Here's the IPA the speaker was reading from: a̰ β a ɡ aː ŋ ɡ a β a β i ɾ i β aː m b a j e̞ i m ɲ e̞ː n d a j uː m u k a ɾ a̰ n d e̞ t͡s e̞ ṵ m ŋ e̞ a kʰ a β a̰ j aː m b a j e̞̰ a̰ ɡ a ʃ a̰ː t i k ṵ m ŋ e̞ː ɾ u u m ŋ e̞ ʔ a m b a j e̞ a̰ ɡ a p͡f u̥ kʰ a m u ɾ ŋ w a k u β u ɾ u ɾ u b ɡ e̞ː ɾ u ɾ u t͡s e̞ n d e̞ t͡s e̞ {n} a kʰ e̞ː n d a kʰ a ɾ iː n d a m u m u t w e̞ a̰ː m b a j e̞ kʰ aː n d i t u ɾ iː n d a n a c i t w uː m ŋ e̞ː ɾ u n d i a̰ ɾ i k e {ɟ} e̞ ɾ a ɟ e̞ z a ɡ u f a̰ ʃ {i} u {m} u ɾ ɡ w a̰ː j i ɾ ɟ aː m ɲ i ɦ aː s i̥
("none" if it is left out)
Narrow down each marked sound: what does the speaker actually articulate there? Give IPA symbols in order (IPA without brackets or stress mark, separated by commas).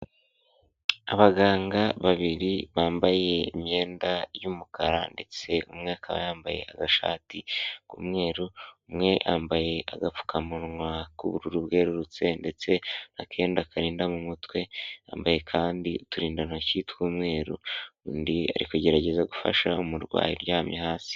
n, ɟ, a, m